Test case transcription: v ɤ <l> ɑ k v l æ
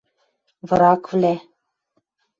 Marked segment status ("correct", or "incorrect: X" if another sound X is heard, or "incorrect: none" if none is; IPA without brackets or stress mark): incorrect: ɾ